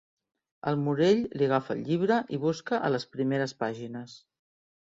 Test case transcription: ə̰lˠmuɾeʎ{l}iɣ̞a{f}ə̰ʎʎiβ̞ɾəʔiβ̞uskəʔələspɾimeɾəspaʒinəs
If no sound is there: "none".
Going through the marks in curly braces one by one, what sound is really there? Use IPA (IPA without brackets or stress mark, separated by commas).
l, f